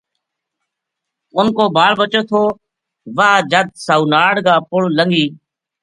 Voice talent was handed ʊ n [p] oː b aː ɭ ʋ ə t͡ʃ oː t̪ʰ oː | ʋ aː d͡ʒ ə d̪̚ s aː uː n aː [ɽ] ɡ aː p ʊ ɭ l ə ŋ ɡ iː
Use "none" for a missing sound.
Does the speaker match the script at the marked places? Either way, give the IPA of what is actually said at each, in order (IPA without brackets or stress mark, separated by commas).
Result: k, ɽ